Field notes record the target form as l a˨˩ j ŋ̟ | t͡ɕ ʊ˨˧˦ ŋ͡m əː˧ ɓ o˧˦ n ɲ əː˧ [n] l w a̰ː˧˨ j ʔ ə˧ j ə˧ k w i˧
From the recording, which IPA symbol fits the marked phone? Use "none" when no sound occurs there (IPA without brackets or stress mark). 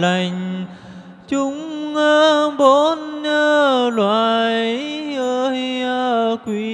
none